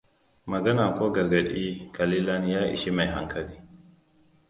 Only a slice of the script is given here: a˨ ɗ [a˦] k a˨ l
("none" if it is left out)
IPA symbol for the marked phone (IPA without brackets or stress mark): i˦